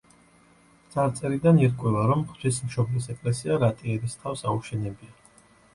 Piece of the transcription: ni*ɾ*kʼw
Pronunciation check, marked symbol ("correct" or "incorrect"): correct